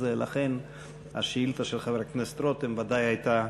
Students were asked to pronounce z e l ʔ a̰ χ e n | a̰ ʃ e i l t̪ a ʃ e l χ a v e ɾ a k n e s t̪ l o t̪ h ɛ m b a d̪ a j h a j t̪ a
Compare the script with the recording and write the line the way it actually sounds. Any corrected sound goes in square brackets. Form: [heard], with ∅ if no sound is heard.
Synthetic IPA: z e l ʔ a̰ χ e n | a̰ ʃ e i l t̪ a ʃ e l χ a v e ɾ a k n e s t̪ [ɾ] o t̪ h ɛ m [v] a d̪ a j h a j t̪ a